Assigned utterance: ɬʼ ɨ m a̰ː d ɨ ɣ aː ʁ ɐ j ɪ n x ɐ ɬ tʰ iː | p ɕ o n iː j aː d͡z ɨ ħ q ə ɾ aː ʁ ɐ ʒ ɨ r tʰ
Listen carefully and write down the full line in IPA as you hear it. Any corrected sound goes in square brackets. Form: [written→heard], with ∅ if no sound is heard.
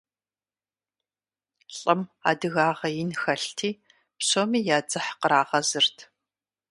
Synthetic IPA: ɬʼ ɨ m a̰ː d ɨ ɣ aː ʁ ɐ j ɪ n x ɐ ɬ tʰ iː | p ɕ o [n→m] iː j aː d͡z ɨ ħ q ə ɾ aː ʁ ɐ [ʒ→z] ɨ r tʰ

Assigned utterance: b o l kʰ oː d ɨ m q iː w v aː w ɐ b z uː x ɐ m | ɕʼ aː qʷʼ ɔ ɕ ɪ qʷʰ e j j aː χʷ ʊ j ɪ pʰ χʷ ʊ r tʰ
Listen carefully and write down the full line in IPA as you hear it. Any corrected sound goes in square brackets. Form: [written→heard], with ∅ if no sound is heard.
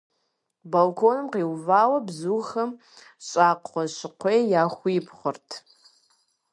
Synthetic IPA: b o l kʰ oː [d→n] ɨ m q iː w v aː w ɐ b z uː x ɐ m | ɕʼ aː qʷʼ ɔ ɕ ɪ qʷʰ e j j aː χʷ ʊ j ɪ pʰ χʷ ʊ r tʰ

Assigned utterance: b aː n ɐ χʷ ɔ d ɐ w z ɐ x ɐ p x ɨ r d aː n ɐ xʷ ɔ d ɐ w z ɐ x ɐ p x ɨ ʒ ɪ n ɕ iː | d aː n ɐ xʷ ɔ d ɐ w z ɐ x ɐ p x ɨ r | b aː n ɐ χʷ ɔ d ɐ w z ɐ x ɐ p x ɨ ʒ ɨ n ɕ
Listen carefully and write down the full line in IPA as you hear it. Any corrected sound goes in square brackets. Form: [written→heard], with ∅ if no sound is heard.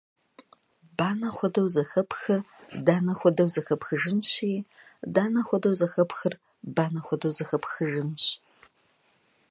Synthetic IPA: b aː n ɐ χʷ ɔ d ɐ w z ɐ x ɐ p x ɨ r d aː n ɐ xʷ ɔ d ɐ w z ɐ x ɐ p x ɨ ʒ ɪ n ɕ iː | d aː n ɐ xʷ ɔ d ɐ w z ɐ x ɐ p x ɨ r | b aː n ɐ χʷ ɔ d ɐ w z ɐ x ɐ p x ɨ ʒ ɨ n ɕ

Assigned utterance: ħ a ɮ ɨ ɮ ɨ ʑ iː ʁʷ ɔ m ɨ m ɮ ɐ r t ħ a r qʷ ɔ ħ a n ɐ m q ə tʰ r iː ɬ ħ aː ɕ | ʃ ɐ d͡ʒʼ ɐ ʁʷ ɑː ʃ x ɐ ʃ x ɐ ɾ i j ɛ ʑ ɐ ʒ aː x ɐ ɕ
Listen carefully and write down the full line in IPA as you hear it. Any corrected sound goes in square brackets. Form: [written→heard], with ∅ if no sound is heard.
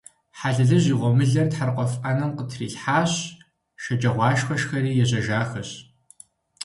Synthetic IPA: ħ a ɮ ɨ ɮ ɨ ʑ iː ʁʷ ɔ m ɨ [m→∅] ɮ ɐ r t ħ a r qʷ ɔ [ħ→f] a n ɐ m q ə tʰ r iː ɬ ħ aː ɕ | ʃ ɐ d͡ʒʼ ɐ ʁʷ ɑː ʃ x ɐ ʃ x ɐ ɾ [i→iː] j ɛ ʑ ɐ ʒ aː x ɐ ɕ

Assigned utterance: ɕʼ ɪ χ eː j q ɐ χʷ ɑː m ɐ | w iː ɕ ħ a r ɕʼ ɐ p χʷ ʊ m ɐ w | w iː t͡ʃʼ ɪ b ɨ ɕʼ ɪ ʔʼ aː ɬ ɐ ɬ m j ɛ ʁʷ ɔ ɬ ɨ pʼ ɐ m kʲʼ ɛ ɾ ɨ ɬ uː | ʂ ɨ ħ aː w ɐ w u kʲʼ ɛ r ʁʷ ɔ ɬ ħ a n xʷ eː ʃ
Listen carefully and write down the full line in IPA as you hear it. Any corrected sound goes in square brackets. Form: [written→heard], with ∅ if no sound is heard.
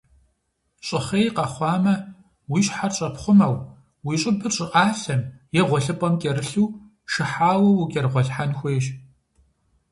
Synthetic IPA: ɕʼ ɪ χ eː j q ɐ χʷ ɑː m ɐ | w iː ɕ ħ a r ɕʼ ɐ p χʷ ʊ m ɐ w | w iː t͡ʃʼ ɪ b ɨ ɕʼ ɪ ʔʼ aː ɬ ɐ [ɬ→∅] m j ɛ ʁʷ ɔ ɬ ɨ pʼ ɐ m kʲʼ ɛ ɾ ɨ ɬ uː | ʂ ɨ ħ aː w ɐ w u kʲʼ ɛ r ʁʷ ɔ ɬ ħ a n xʷ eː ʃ

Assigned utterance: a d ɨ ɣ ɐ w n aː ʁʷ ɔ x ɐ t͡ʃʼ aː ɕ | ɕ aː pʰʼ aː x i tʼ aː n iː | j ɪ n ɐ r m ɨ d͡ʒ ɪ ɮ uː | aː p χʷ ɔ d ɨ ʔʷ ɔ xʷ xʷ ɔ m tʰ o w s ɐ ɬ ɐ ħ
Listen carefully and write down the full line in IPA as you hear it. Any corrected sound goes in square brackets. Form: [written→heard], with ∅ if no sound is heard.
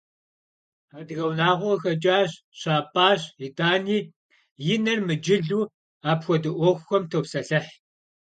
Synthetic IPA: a d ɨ ɣ ɐ w n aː ʁʷ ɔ x ɐ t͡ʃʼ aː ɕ | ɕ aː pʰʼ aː [x→ɕ] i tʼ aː n iː | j ɪ n ɐ r m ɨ d͡ʒ ɪ ɮ uː | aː p [χʷ→xʷ] ɔ d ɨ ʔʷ ɔ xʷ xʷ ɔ m tʰ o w s ɐ ɬ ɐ ħ

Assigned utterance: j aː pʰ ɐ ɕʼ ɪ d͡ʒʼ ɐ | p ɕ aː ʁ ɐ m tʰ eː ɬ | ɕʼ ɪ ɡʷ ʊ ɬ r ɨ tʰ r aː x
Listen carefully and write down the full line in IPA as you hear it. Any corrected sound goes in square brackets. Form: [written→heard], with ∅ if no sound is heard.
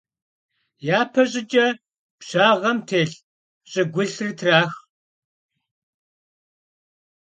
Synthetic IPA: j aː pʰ ɐ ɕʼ ɪ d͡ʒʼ ɐ | p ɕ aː ʁ ɐ m tʰ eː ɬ | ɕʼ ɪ ɡʷ ʊ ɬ r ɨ tʰ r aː x

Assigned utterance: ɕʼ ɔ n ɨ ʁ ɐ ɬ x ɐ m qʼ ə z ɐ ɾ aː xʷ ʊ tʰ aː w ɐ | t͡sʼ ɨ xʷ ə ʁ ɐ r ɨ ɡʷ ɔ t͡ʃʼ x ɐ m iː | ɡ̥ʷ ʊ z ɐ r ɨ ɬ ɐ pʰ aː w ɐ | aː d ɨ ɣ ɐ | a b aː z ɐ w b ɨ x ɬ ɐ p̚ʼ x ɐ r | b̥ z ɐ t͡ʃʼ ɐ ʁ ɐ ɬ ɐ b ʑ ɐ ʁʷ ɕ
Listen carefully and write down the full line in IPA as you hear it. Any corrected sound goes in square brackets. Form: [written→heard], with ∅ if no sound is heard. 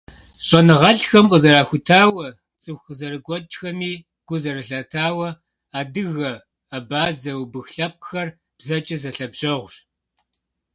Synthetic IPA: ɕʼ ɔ n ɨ ʁ ɐ ɬ x ɐ m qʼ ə z ɐ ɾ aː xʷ ʊ tʰ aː w ɐ | t͡sʼ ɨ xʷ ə [ʁ→z] ɐ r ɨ ɡʷ ɔ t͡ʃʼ x ɐ m iː | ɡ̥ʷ ʊ z ɐ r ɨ ɬ ɐ [pʰ→tʰ] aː w ɐ | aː d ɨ ɣ ɐ | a b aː z ɐ w b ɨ x ɬ ɐ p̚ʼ x ɐ r | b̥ z ɐ t͡ʃʼ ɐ [ʁ→z] ɐ ɬ ɐ b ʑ ɐ ʁʷ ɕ

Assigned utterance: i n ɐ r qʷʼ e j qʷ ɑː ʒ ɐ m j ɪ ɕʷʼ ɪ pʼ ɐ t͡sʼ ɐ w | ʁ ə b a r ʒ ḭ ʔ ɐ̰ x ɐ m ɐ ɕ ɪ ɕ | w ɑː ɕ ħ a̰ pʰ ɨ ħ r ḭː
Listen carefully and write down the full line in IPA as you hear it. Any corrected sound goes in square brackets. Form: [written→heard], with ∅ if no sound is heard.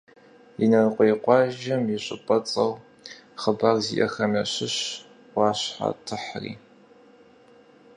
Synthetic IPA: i n ɐ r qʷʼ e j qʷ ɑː ʒ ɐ m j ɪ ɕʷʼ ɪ pʼ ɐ t͡sʼ ɐ w | [ʁ→χ] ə b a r [ʒ→z] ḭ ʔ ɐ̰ x ɐ m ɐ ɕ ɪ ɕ | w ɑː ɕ ħ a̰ [pʰ→tʰ] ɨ ħ r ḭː

